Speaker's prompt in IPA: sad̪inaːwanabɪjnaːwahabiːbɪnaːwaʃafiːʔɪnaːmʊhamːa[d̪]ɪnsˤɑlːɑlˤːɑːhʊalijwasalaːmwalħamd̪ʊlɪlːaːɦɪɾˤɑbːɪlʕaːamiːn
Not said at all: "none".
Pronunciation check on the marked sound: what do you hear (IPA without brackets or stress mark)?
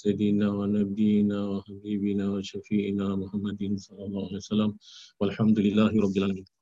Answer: d̪